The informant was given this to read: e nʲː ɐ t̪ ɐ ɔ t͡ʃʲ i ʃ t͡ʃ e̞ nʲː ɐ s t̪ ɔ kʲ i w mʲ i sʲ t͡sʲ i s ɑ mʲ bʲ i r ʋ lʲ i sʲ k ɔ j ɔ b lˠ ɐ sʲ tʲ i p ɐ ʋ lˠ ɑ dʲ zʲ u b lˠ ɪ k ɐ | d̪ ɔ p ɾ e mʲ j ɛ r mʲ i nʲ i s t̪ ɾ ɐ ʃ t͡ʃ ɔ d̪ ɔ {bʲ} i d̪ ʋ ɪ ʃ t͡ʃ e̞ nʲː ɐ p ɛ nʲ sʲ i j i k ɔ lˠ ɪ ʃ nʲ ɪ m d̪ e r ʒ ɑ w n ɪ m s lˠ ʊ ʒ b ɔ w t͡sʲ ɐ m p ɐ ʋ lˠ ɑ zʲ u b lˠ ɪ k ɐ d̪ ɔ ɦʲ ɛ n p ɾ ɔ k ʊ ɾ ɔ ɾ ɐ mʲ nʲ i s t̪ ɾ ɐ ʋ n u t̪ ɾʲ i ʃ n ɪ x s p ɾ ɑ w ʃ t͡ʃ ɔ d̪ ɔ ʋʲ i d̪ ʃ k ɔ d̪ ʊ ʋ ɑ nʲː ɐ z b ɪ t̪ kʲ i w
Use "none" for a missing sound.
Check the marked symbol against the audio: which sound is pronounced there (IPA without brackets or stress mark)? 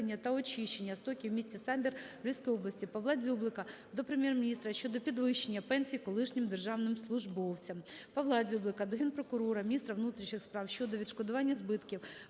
pʲ